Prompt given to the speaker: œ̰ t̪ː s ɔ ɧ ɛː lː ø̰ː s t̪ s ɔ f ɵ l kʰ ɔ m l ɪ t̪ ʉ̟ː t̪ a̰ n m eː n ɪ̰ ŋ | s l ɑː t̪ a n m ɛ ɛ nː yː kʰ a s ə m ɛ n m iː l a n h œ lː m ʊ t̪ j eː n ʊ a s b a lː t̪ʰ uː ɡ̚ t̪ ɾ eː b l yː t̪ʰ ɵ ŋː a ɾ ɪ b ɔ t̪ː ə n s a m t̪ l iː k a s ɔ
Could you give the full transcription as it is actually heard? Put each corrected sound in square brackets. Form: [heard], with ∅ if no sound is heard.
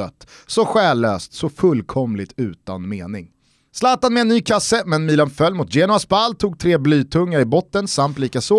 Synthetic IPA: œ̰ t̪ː s ɔ ɧ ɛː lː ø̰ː s t̪ s ɔ f ɵ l kʰ ɔ m l ɪ t̪ ʉ̟ː t̪ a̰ n m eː n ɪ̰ ŋ | s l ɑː t̪ a n m ɛ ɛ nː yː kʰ a s ə m ɛ n m iː l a n [f] œ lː m ʊ t̪ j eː n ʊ a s b a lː t̪ʰ uː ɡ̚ [t̪ʰ] ɾ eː b l yː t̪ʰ ɵ ŋː a ɾ ɪ b ɔ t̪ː ə n s a m t̪ l iː k a s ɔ